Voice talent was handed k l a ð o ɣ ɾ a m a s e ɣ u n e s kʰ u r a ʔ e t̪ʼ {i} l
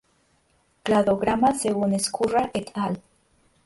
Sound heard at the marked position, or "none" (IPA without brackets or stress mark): a